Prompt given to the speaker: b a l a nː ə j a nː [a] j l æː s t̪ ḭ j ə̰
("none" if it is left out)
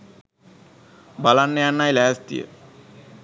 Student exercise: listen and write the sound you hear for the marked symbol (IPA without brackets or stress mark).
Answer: a